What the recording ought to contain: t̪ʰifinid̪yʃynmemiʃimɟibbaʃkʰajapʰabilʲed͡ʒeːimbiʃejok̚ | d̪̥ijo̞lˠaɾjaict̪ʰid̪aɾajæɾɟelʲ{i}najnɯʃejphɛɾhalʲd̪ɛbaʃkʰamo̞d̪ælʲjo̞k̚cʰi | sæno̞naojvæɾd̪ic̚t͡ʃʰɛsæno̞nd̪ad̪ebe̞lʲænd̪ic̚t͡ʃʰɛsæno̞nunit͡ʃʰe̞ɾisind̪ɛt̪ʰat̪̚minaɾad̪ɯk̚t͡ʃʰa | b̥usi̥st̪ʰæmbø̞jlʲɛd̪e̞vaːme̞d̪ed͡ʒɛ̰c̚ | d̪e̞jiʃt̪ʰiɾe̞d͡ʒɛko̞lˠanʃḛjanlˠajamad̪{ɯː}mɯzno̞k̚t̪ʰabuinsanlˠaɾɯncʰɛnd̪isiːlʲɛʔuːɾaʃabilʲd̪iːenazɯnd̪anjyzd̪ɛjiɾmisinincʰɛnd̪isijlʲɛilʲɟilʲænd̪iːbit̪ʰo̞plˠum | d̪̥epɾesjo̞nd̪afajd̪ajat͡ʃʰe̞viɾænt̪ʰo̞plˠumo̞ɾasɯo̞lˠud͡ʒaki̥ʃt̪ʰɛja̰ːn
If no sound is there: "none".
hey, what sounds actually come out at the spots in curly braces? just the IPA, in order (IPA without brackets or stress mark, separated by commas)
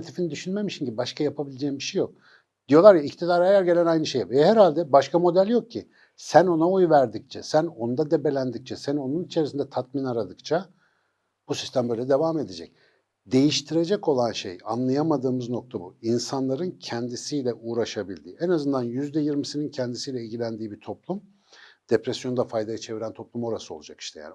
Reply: æ, ɯː